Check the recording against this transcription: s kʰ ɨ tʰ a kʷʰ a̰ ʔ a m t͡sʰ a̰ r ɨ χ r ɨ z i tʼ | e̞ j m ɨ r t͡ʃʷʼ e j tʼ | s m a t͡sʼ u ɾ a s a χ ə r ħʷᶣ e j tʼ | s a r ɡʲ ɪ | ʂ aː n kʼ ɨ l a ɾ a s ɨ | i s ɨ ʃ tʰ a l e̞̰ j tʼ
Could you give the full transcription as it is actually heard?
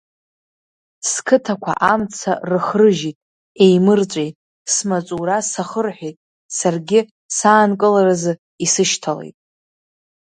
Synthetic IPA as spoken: s kʰ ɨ tʰ a kʷʰ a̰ ʔ a m t͡sʰ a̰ r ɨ χ r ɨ ʒ i tʼ | e̞ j m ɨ r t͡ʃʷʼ e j tʼ | s m a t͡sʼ u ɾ a s a χ ə r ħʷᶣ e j tʼ | s a r ɡʲ ɪ | s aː n kʼ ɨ l a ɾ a z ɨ | i s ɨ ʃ tʰ a l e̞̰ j tʼ